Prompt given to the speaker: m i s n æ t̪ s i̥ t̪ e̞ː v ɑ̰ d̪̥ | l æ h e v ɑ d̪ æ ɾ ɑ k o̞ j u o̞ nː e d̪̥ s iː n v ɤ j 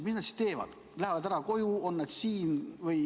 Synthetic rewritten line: m i s n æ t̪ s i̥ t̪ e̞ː v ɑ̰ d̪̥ | l æ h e v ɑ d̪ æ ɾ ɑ k o̞ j u o̞ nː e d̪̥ s iː n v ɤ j